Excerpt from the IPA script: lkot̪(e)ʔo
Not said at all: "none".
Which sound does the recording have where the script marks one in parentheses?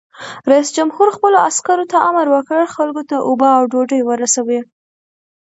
a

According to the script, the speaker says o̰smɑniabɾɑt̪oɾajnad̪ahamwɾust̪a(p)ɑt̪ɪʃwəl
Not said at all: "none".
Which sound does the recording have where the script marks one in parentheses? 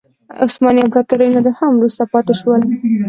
p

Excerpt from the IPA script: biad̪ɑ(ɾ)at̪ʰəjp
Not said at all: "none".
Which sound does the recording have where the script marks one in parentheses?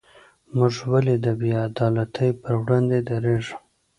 l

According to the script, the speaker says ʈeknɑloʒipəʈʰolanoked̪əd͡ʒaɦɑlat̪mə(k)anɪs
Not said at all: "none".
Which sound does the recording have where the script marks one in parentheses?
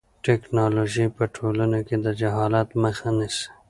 x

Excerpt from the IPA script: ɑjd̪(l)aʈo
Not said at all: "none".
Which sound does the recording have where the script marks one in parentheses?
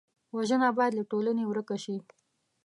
l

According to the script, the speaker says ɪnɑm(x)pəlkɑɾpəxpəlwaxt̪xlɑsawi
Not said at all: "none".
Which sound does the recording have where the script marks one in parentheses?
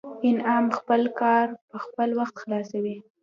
x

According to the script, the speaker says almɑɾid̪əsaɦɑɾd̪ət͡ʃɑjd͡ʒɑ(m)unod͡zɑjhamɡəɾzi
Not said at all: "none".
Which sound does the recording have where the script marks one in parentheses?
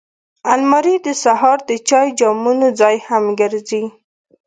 m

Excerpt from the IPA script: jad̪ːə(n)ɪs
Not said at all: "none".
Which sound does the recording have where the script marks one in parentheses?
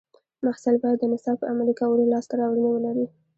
n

